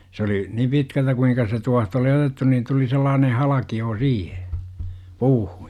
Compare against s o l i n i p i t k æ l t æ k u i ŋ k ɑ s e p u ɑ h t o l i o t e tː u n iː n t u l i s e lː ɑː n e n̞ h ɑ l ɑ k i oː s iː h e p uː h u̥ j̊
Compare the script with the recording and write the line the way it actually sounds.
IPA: s o l i n i p i t k æ l t æ k u i ŋ k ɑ s e t u ɑ h t o l i o t e tː u n iː n t u l i s e lː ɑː n e n̞ h ɑ l ɑ k i oː s iː h e p uː h u̥ j̊